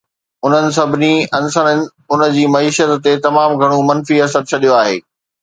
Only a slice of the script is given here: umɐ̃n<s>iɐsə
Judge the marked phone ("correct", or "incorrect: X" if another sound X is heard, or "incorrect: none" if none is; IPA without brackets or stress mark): incorrect: f